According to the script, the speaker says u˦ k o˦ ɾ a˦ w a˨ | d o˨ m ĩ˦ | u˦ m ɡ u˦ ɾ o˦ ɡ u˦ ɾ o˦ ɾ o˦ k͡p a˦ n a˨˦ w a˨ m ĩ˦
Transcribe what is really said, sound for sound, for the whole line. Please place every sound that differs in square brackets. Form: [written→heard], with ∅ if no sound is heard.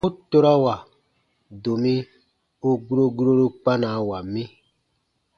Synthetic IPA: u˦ [k→t] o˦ ɾ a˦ w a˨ | d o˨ m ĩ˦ | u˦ [m→∅] ɡ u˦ ɾ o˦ ɡ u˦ ɾ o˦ ɾ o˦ k͡p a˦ n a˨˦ w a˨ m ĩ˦